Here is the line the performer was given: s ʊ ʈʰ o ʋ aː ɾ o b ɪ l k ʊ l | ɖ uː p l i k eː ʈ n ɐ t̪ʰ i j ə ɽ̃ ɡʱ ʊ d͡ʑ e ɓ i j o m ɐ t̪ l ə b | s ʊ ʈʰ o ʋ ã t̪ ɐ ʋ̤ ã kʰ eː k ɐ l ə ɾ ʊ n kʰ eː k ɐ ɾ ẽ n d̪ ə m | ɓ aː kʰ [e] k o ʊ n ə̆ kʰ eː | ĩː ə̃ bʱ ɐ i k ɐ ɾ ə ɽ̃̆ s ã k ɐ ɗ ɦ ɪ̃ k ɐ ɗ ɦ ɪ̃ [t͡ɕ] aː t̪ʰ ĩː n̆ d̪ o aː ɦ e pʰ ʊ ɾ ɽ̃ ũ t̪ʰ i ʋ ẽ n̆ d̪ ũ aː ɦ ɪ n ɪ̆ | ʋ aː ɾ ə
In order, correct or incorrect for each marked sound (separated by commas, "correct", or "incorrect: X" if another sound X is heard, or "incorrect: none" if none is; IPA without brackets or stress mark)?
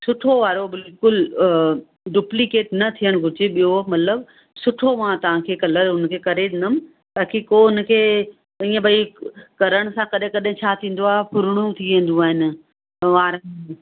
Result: incorrect: i, incorrect: t͡ɕʰ